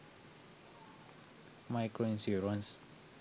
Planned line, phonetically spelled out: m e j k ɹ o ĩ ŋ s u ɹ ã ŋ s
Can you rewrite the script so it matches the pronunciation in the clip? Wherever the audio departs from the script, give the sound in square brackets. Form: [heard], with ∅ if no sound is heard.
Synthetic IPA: m [a] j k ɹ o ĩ [n] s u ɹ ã [n] s